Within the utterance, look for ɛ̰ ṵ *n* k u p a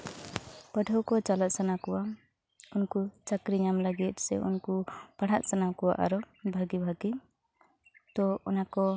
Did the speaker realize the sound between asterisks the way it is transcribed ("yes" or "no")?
yes